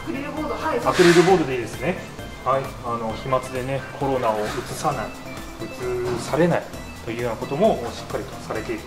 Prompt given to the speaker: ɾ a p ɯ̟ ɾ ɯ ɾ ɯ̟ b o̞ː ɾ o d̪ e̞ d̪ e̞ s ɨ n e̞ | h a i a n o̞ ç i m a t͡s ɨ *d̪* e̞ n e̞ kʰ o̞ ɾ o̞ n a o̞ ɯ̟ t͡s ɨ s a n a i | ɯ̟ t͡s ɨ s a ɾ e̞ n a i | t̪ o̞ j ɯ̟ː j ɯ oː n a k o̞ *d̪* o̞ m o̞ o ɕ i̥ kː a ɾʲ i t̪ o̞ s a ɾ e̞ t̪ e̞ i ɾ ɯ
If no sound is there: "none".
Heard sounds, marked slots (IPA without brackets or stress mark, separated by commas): d̪, t̪